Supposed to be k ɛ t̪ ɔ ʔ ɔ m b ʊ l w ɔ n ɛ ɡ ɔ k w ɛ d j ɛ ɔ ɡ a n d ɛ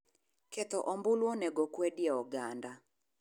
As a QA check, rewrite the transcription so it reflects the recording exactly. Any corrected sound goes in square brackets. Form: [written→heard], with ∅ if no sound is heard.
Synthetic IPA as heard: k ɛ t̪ ɔ ʔ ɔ m b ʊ l w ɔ n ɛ ɡ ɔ k w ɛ d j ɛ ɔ ɡ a n d [ɛ→a]